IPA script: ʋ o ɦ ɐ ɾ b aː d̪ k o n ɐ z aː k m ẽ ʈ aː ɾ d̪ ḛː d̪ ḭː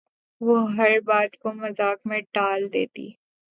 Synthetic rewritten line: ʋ o ɦ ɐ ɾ b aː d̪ k o m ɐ z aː k m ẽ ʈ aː l d̪ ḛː t̪ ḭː